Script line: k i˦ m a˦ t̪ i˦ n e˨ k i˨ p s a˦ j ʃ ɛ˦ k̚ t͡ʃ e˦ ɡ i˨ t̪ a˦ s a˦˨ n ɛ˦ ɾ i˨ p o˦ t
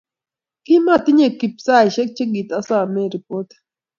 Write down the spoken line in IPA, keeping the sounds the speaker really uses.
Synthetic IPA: k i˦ m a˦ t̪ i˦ ɲ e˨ k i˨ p s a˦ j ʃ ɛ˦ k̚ t͡ʃ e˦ ɡ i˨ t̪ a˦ s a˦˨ m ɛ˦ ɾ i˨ p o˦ t